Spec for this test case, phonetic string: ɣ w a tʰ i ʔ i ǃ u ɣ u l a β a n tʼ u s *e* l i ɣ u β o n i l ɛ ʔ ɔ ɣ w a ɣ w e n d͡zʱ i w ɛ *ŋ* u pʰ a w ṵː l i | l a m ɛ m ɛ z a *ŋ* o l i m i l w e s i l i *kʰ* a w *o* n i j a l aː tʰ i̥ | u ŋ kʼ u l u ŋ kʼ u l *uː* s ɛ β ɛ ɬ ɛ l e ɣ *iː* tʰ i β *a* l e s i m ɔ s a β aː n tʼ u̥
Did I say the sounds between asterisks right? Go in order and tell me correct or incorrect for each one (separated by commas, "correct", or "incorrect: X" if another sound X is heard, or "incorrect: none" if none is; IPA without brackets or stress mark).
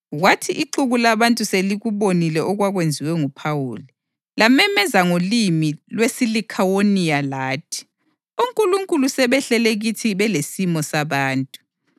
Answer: correct, correct, correct, correct, correct, incorrect: u, incorrect: i, incorrect: ɛ